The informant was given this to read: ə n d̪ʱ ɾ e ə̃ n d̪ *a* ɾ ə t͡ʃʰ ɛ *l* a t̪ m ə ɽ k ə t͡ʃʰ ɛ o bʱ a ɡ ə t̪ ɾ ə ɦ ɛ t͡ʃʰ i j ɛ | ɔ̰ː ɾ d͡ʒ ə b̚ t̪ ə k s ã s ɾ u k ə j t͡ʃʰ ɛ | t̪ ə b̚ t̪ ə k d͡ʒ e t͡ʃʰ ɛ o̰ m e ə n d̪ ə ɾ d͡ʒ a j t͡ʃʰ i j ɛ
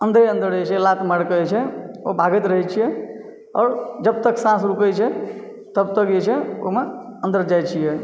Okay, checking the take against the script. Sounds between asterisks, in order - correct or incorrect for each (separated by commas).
incorrect, correct